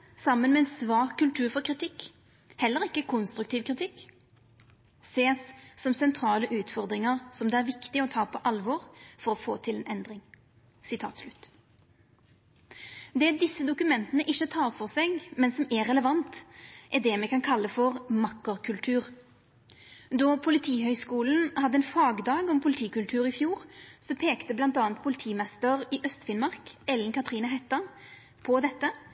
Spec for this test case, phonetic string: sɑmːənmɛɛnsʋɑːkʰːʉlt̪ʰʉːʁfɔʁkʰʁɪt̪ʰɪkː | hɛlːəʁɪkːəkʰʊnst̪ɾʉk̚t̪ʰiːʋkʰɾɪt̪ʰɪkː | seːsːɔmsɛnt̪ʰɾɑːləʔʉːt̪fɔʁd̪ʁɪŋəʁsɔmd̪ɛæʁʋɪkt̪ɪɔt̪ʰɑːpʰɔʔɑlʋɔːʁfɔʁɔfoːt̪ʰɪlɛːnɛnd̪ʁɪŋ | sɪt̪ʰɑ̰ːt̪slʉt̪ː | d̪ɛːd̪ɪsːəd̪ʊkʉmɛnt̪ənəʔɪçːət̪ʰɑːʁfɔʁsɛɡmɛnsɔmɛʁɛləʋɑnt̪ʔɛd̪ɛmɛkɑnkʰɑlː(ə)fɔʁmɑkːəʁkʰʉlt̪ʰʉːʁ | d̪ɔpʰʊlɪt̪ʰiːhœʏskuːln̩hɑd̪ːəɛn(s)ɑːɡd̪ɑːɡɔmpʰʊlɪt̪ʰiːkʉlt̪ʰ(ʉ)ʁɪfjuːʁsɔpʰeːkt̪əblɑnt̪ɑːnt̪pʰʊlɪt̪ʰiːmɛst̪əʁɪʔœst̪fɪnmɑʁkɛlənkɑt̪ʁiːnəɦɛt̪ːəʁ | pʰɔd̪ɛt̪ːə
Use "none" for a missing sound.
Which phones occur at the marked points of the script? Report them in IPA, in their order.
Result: ə, f, ʉː

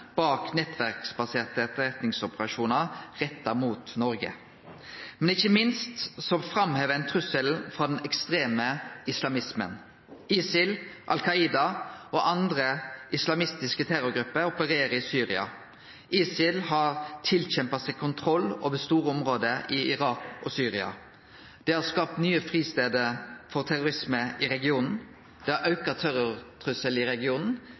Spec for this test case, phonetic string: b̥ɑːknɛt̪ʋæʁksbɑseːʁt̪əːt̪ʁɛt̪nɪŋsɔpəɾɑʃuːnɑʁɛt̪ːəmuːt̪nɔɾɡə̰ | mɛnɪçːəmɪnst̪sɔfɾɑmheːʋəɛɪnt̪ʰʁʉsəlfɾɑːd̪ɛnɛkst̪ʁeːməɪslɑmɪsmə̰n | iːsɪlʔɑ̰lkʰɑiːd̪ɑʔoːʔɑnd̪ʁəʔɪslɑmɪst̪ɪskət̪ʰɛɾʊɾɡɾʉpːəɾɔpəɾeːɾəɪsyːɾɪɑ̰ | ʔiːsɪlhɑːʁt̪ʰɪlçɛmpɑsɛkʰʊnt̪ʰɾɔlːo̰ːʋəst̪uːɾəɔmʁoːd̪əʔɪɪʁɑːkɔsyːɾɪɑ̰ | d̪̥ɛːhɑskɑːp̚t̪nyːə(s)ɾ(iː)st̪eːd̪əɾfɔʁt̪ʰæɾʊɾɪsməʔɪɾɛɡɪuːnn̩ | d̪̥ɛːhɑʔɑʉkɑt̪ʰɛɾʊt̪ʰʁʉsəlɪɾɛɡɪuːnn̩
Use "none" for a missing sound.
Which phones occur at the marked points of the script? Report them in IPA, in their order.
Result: f, iː

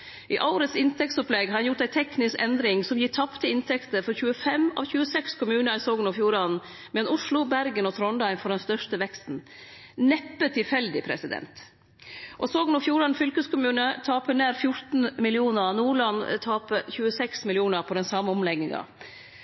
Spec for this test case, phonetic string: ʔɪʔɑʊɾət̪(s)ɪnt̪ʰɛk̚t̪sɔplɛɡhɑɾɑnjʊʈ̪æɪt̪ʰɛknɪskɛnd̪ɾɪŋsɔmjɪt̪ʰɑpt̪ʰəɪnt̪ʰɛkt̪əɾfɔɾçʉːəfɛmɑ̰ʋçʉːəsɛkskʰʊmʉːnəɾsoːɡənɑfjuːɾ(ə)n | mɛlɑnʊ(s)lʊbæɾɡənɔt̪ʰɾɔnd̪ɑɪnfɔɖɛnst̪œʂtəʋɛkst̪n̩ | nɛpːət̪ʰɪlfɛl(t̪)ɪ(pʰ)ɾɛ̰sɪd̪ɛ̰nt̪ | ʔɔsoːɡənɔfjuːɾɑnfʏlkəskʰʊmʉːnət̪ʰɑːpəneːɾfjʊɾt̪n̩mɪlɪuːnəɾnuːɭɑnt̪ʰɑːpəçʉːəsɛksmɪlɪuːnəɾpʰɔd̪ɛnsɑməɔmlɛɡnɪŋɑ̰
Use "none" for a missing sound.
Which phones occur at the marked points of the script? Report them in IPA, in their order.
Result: s, ɑ, ʂ, d̪, pʰ

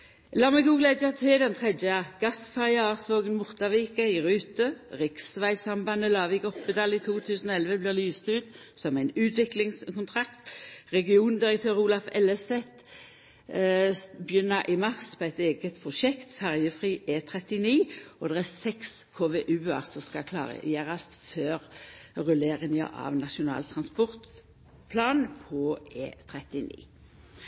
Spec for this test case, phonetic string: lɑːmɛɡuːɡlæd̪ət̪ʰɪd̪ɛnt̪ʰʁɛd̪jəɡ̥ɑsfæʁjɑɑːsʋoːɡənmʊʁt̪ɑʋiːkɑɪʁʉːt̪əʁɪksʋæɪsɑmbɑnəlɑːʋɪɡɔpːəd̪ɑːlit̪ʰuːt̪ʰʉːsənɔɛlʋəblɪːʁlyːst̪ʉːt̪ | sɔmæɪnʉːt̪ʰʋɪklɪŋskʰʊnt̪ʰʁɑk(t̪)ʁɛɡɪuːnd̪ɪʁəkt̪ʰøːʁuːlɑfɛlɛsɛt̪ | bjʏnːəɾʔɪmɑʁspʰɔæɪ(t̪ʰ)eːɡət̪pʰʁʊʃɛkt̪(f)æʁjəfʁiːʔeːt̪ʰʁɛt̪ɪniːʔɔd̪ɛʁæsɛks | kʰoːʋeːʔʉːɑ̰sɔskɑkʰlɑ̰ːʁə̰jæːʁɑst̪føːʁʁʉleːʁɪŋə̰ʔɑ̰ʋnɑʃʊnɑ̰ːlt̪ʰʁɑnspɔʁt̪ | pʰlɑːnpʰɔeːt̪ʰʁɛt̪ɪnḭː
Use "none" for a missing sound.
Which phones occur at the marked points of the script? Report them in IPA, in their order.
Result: t̪, t̪, f

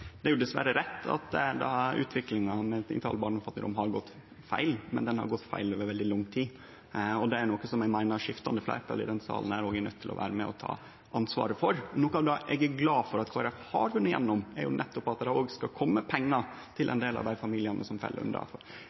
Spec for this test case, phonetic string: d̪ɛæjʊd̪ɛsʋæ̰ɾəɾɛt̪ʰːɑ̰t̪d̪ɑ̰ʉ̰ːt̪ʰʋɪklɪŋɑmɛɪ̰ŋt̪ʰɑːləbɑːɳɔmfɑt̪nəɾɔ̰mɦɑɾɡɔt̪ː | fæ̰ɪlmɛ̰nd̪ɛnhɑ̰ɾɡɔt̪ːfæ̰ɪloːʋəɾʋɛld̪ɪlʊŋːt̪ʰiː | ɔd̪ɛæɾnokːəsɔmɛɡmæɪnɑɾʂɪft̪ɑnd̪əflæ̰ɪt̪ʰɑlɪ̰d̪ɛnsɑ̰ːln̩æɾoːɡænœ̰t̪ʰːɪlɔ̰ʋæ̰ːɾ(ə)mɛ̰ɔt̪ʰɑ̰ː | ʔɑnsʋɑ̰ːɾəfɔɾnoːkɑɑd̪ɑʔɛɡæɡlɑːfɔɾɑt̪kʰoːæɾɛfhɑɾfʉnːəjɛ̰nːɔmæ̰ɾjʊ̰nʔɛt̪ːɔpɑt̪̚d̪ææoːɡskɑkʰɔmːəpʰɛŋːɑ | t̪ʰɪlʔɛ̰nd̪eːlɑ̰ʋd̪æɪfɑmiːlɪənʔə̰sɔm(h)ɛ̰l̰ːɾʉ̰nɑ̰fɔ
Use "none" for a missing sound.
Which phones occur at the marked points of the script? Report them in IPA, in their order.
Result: ə, f

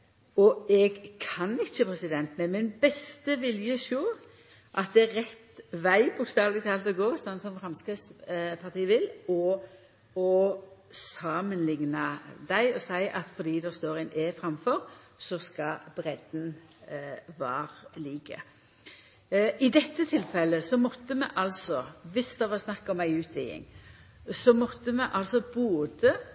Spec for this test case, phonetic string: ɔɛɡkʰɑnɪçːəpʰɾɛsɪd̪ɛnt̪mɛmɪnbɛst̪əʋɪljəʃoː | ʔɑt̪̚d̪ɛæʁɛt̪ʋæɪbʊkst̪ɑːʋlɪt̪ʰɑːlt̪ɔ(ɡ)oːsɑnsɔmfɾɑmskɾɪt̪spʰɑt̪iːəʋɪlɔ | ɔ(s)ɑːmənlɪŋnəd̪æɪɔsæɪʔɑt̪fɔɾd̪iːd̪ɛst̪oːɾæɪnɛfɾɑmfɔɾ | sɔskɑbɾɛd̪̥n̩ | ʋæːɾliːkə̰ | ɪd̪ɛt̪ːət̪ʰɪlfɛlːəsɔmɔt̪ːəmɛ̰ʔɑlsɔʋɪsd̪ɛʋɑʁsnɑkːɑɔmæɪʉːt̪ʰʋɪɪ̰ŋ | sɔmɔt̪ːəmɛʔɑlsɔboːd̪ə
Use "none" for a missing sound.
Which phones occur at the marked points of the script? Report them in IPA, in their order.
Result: ɡ, s

